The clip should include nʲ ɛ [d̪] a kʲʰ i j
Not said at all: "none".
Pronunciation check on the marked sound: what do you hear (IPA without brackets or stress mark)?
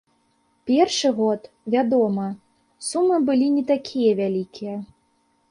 t̪